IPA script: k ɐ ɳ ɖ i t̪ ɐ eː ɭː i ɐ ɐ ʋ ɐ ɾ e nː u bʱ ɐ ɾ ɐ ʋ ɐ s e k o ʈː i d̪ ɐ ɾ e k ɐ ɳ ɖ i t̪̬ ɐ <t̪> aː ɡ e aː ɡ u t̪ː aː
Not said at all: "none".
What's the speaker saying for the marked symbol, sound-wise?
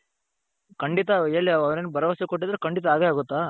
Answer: none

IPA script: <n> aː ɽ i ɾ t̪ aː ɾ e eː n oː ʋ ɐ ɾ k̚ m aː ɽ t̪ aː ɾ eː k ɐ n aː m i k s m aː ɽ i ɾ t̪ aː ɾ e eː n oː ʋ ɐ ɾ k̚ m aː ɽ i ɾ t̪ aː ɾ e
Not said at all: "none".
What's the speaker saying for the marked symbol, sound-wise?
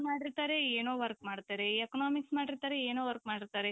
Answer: m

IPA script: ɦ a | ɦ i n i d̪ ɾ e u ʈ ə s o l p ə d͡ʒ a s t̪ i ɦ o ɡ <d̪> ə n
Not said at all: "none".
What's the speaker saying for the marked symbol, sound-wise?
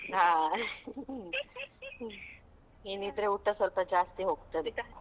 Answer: t̪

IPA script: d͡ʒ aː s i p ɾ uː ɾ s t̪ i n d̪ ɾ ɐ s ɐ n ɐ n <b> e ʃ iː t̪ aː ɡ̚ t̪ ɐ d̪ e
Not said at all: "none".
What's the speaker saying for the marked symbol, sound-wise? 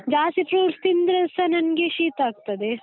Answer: ɡ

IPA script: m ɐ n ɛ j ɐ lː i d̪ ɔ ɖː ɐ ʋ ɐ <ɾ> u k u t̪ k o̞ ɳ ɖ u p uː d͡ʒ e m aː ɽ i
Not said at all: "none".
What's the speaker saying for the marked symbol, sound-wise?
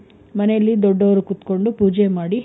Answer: ɾ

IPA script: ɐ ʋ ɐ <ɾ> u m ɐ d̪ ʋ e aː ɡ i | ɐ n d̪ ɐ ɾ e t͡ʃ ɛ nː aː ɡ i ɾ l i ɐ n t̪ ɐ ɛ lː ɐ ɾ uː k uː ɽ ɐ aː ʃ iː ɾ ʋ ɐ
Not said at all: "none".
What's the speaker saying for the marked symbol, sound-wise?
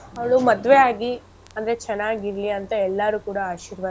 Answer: ɭ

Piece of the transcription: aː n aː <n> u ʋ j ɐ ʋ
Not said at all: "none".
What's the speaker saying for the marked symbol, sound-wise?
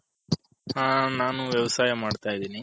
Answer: n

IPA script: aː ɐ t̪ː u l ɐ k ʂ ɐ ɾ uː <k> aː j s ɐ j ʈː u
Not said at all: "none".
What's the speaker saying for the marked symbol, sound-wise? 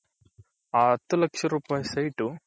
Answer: p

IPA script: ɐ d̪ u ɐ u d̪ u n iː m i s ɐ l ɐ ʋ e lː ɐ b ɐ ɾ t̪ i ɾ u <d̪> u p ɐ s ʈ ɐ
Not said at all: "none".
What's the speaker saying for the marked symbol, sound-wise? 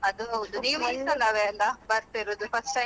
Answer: d̪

